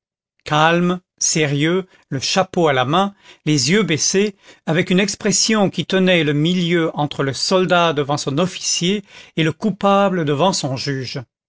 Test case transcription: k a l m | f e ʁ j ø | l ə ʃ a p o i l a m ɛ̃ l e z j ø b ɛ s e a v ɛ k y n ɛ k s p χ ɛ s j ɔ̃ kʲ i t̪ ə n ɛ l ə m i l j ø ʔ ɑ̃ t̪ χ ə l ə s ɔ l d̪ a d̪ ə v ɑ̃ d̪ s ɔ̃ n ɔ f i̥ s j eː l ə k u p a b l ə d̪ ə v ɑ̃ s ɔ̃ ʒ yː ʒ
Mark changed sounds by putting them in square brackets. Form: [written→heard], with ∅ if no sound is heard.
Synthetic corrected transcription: k a l m | [f→s] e ʁ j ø | l ə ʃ a p o [i→a] l a m ɛ̃ l e z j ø b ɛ s e a v ɛ k y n ɛ k s p χ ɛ s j ɔ̃ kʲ i t̪ ə n ɛ l ə m i l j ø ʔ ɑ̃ t̪ χ ə l ə s ɔ l d̪ a d̪ ə v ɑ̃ [d̪→∅] s ɔ̃ n ɔ f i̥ s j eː l ə k u p a b l ə d̪ ə v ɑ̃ s ɔ̃ ʒ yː ʒ